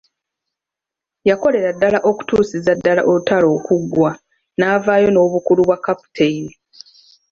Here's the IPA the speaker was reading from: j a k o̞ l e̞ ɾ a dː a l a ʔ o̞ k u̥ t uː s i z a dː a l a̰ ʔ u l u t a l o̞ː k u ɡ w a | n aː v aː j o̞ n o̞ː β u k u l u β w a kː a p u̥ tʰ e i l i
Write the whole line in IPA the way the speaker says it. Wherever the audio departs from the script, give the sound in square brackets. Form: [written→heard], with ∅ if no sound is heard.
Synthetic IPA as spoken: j a k o̞ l e̞ ɾ a dː a l a ʔ o̞ k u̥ t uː s i z a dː a l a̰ ʔ [u→o] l u t a l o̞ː k u ɡ w a | n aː v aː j o̞ n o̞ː β u k u l u β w a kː a p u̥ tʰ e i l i